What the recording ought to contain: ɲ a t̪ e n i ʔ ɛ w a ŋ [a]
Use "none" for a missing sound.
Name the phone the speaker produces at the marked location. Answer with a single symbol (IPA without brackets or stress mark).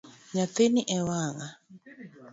a